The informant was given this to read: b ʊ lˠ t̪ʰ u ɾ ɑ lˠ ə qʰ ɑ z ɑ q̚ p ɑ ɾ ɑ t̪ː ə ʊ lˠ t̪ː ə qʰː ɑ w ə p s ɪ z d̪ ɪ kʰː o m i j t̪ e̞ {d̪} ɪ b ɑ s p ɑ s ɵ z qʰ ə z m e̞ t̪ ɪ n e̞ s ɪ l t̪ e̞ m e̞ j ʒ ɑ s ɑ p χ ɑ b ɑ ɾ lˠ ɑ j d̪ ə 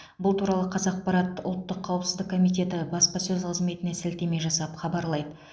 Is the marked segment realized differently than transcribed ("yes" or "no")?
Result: yes